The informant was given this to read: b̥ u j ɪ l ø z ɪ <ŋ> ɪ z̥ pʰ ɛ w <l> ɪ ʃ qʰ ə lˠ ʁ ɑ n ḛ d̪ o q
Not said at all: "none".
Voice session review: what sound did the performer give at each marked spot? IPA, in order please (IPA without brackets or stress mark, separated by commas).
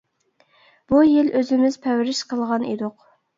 m, ɾ